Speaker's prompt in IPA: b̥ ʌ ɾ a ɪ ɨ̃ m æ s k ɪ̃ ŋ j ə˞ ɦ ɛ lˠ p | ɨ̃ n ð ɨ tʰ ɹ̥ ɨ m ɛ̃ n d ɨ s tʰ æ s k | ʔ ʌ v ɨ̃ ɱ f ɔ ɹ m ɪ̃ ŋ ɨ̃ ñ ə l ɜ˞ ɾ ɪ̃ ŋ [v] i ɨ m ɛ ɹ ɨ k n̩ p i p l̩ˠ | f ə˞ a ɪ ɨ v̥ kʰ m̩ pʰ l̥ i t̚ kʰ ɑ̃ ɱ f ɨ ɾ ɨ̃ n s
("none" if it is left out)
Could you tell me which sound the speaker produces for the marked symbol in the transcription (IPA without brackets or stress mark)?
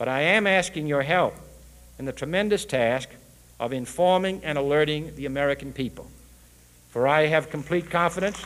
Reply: ð